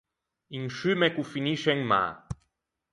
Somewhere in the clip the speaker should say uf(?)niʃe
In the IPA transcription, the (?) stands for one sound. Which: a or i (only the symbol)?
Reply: i